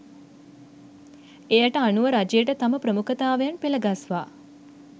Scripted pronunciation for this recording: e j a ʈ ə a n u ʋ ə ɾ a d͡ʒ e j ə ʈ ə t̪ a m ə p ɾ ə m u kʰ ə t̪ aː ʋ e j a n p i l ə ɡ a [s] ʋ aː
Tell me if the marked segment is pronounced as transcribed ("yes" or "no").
yes